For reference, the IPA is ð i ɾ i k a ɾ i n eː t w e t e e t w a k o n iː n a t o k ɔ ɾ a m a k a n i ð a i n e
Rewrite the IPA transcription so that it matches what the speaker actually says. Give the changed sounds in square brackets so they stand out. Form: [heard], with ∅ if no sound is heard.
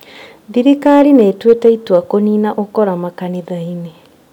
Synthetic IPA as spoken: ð i ɾ i k a ɾ i n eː t w e t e [i] t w a k o n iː n a [ʔ] o k ɔ ɾ a m a k a n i ð a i n e